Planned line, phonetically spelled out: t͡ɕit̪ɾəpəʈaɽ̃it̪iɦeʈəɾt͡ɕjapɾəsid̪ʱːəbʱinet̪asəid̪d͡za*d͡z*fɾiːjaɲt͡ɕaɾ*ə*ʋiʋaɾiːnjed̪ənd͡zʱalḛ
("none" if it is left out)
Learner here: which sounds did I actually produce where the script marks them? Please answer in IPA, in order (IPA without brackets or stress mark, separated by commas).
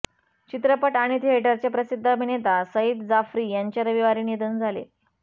none, ə